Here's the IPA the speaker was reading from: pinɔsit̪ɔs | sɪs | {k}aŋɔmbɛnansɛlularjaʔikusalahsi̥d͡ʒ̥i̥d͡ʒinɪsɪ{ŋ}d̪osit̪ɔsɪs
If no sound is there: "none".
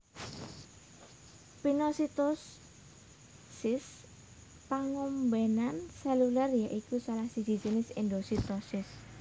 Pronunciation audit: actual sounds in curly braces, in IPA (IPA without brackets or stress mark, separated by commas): p, n